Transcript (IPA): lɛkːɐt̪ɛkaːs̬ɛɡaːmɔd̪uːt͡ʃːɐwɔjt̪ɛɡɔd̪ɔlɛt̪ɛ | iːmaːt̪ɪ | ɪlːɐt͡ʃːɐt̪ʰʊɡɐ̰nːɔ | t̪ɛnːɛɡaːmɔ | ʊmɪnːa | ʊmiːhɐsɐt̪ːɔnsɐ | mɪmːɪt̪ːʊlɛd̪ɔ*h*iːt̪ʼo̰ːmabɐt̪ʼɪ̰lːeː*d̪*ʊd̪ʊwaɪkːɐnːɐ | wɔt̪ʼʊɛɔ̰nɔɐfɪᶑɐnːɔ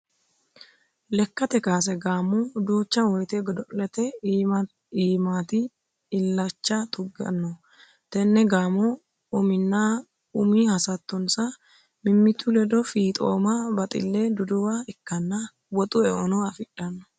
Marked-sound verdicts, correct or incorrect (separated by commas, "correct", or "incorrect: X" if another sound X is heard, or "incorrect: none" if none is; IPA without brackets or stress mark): incorrect: f, correct